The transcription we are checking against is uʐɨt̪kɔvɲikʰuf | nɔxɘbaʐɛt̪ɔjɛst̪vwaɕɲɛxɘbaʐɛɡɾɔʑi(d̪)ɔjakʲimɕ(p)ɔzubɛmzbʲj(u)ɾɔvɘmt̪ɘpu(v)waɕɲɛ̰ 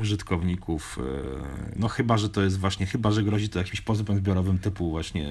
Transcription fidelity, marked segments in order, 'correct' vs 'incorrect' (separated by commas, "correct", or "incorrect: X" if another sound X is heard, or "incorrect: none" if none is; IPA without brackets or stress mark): incorrect: t̪, correct, incorrect: ɔ, correct